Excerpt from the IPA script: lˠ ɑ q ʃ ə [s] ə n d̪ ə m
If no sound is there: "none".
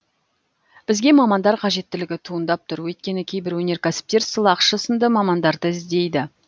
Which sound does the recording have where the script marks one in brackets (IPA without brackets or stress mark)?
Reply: s